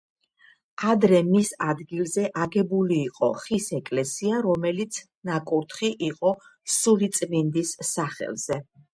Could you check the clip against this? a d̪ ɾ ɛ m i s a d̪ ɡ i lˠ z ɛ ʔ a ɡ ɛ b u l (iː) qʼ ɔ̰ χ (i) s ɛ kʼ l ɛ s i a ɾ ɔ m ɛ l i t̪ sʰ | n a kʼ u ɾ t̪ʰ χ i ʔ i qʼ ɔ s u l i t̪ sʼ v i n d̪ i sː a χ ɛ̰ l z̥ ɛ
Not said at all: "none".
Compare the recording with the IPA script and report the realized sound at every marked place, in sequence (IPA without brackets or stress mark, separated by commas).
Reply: iː, i